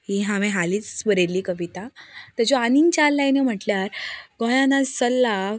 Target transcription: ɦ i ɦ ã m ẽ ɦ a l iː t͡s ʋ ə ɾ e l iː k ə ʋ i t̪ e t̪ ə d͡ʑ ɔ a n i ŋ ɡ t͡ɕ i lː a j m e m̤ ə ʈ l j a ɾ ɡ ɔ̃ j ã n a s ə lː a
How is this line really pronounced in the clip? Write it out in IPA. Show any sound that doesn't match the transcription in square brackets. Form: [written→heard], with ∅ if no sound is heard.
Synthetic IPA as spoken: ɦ i ɦ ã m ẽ ɦ a l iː t͡s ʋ ə ɾ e l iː k ə ʋ i t̪ [e→a] t̪ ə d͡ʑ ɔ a n i ŋ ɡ t͡ɕ [i→a] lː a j [m→n] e m̤ ə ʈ l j a ɾ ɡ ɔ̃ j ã n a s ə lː a